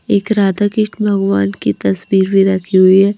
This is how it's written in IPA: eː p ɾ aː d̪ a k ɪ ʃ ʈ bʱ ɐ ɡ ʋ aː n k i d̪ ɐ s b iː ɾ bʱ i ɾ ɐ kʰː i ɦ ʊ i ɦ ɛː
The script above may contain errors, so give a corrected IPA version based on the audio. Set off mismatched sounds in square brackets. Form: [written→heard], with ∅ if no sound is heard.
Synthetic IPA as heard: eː [p→k] ɾ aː d̪ a k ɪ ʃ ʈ bʱ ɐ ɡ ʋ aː n k i [d̪→t̪] ɐ s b iː ɾ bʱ i ɾ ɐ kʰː i ɦ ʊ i ɦ ɛː